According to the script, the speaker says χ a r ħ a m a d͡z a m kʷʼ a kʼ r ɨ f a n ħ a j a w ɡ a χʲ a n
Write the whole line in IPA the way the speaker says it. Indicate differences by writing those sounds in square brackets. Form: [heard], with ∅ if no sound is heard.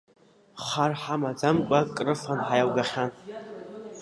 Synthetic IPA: χ a r ħ a m a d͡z a m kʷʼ a kʼ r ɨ f a n ħ a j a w ɡ a χʲ a n